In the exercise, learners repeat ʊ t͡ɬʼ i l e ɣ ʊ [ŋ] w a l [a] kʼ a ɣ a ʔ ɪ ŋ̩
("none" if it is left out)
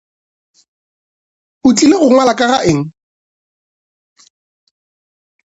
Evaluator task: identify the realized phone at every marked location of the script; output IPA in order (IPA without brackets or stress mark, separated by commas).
ŋ, a